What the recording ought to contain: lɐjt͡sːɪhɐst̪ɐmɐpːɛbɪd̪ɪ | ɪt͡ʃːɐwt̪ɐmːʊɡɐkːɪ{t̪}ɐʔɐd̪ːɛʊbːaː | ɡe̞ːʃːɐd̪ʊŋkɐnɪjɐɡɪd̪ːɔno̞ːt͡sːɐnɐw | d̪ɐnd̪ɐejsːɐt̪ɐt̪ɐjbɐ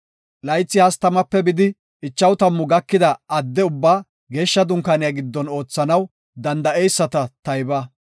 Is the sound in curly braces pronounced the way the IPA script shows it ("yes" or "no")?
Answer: no